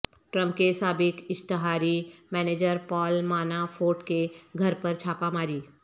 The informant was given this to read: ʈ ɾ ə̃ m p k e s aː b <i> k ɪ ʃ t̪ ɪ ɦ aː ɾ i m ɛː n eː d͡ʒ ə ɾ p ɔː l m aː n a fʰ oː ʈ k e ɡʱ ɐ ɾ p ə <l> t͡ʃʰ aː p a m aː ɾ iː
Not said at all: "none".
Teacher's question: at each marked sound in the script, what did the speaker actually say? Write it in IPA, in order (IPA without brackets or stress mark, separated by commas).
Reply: ɪ, ɾ